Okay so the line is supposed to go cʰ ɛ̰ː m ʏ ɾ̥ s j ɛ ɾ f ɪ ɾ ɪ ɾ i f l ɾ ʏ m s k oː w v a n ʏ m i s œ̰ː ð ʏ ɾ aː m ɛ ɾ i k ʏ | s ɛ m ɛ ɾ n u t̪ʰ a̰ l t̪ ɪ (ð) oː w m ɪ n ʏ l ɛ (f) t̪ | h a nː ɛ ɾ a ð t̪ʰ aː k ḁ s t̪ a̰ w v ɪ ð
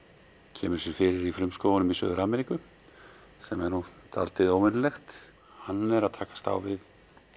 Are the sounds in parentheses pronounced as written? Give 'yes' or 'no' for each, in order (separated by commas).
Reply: yes, no